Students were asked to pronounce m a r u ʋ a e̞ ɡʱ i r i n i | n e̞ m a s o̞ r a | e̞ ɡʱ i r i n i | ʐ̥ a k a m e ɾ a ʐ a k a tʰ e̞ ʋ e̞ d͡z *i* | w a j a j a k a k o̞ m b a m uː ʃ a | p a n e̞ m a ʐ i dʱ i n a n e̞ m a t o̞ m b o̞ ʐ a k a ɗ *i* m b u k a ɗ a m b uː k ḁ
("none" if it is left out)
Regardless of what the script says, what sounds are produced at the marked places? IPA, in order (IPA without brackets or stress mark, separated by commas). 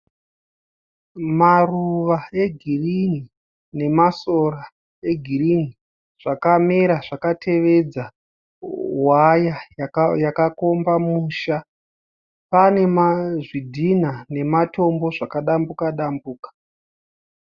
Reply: a, a